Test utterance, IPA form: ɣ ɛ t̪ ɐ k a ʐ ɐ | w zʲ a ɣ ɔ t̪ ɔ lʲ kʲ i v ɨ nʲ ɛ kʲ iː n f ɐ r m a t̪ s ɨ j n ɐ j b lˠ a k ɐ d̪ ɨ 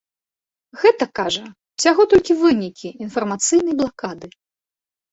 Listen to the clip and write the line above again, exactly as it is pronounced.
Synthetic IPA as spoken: ɣ ɛ t̪ ɐ k a ʐ ɐ | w sʲ a ɣ ɔ t̪ ɔ lʲ kʲ i v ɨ nʲ i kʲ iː n f ɐ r m a t̪ s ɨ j n ɐ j b lˠ a k a d̪ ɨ

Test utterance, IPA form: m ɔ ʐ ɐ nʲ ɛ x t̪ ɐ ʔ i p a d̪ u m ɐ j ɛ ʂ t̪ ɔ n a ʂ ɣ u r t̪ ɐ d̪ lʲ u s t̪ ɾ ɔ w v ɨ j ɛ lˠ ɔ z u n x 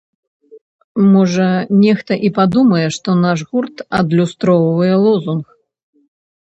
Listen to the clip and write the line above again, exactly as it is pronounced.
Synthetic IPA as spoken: m ɔ ʐ ɐ nʲ ɛ x t̪ ɐ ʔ i p a d̪ u m ɐ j ɛ ʂ t̪ ɔ n a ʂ ɣ u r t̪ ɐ d̪ lʲ u s t̪ ɾ ɔ w v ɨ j ɛ lˠ ɔ z u n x

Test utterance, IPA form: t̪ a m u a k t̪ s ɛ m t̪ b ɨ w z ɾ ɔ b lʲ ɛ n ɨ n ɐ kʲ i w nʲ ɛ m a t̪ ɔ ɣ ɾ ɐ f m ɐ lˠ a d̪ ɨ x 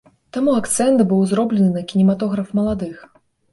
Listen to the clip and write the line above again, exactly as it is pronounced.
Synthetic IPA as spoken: t̪ a m u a k t̪ s ɛ n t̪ b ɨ w z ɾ ɔ b lʲ ɛ n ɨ n ɐ kʲ i nʲ ɛ m a t̪ ɔ ɣ ɾ ɐ f m ɐ lˠ a d̪ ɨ x

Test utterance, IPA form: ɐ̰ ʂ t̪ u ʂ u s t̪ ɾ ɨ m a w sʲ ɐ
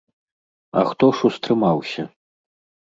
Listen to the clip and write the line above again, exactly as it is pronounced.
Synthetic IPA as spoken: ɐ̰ x t̪ ɔ ʂ u s t̪ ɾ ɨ m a w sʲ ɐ

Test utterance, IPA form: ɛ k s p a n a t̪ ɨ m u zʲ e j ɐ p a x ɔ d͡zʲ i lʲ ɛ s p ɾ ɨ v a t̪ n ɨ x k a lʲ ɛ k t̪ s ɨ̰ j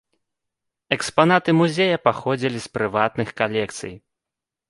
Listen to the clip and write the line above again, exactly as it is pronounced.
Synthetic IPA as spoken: ɛ k s p a n a t̪ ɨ m u zʲ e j ɐ p a x ɔ d͡zʲ i lʲ i s p ɾ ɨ v a t̪ n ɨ x k a lʲ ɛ k t̪ s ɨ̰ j

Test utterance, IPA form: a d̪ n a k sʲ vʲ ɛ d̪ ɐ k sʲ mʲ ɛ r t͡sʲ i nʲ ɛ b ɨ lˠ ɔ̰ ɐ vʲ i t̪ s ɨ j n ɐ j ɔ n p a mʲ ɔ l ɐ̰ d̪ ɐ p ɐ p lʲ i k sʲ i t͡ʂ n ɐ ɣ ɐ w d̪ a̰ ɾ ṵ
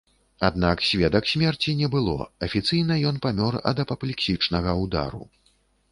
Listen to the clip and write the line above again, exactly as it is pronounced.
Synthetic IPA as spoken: a d̪ n a k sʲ vʲ ɛ d̪ ɐ k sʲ mʲ ɛ r t͡sʲ i nʲ ɛ b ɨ lˠ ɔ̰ ɐ fʲ i t̪ s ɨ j n ɐ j ɔ n p a mʲ ɔ r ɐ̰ d̪ ɐ p ɐ p lʲ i k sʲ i t͡ʂ n ɐ ɣ ɐ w d̪ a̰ ɾ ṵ

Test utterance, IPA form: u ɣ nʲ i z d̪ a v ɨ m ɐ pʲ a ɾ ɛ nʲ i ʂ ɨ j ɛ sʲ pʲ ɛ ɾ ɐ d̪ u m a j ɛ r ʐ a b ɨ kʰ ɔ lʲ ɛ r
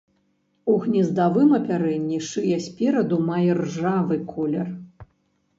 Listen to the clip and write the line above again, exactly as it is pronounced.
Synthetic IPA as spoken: u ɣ nʲ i z d̪ a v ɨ m ɐ pʲ a ɾ ɛ nʲː i ʂ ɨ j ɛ sʲ pʲ ɛ ɾ ɐ d̪ u m a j ɛ r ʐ a v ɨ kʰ ɔ lʲ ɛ r

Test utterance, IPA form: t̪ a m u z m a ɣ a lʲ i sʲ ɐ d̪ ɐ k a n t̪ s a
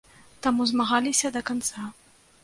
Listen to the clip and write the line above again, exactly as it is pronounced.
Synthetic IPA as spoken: t̪ a m u z m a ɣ a lʲ i sʲ ɐ d̪ ɐ k a n t̪ s a

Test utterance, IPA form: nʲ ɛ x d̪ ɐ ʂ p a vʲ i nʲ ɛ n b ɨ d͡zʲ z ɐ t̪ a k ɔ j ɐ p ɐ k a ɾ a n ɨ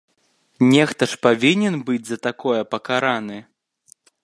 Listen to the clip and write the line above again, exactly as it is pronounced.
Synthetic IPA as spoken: nʲ ɛ x t̪ ɐ ʂ p a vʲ i nʲ ɛ n b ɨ d͡zʲ z ɐ t̪ a k ɔ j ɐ p ɐ k a ɾ a n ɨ

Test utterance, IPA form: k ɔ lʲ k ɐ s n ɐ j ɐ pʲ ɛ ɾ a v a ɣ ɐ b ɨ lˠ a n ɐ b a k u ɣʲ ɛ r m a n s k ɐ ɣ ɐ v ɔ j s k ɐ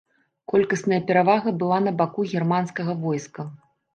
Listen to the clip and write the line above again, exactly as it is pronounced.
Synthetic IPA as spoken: k ɔ lʲ k ɐ s n ɐ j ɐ pʲ ɛ ɾ a v a ɣ ɐ b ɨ lˠ a n ɐ b a k u ɣʲ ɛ r m a n s k ɐ ɣ ɐ v ɔ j s k ɐ

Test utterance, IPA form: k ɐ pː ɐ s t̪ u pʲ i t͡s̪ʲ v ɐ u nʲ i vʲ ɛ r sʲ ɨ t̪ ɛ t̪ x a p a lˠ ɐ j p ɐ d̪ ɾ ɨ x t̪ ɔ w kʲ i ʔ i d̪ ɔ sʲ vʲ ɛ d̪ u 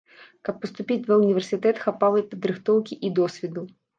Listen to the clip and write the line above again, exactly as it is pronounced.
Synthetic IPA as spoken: k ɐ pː ɐ s t̪ u pʲ i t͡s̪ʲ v ɐ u nʲ i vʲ ɛ r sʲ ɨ t̪ ɛ t̪ x a p a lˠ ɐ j p ɐ d̪ ɾ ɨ x t̪ ɔ w kʲ i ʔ i d̪ ɔ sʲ vʲ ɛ d̪ u

